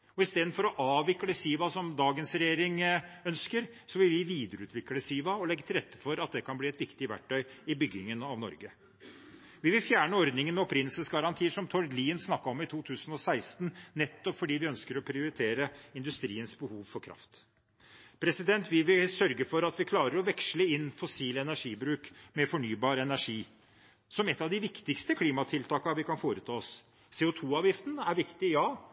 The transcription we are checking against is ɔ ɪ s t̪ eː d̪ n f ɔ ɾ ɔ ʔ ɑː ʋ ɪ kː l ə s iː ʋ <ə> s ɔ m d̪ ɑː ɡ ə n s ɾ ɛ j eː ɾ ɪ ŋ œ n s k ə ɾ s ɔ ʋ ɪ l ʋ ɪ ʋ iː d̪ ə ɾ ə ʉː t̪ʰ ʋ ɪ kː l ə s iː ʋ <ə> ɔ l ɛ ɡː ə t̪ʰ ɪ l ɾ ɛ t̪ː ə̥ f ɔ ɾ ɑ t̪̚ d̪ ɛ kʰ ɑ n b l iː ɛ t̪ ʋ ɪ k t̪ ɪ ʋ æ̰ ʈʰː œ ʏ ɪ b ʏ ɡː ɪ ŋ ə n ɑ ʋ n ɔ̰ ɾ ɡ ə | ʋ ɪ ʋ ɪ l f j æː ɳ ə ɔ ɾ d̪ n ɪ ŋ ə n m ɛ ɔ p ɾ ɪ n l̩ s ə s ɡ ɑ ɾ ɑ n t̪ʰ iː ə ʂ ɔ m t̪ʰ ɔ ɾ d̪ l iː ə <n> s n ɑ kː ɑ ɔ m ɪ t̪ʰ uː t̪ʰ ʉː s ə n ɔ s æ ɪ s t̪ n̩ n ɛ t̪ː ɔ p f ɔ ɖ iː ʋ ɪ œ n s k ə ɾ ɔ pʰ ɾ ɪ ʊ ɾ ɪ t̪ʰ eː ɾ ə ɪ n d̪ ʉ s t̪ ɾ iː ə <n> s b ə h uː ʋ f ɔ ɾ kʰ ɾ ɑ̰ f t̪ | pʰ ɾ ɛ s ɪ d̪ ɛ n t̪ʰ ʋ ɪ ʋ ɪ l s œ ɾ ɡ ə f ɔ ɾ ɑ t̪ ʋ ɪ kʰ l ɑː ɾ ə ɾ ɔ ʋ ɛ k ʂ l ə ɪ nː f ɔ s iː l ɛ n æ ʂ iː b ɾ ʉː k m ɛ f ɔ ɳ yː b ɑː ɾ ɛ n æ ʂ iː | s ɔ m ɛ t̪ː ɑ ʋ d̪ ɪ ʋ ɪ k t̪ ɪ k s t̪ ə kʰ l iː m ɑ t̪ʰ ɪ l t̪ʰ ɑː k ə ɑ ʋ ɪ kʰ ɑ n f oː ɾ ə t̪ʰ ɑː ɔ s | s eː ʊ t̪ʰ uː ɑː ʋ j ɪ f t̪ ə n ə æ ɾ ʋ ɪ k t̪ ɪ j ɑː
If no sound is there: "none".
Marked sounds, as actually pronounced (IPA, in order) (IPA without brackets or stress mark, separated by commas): ɑ, ɑ, n, n